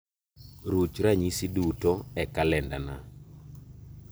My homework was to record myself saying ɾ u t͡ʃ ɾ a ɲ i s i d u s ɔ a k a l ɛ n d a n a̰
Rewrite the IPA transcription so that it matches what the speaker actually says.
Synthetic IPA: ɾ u t͡ʃ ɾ a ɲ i s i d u t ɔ ɛ k a l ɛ n d a n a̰